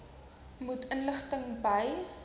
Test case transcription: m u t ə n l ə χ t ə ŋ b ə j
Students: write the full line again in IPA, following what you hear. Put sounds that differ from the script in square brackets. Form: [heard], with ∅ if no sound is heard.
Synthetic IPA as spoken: m u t ə n l ə χ t ə ŋ b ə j